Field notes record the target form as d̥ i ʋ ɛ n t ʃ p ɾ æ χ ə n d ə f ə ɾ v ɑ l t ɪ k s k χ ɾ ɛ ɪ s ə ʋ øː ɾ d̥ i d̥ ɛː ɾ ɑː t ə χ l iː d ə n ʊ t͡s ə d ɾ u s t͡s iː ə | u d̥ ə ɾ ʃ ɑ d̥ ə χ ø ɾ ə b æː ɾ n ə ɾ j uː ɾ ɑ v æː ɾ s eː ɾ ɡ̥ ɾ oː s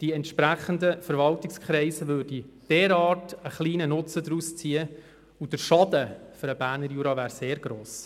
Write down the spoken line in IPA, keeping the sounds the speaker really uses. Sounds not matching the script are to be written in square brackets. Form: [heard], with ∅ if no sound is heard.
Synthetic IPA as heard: d̥ i [∅] ɛ n t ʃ p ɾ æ χ ə n d ə f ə ɾ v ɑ l t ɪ k s k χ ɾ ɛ ɪ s ə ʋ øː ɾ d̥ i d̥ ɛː ɾ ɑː t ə χ l iː [n] ə n ʊ t͡s ə d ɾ u s t͡s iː ə | u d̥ ə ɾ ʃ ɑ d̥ ə [f] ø ɾ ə b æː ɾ n ə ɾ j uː ɾ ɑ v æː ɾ s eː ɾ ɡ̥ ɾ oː s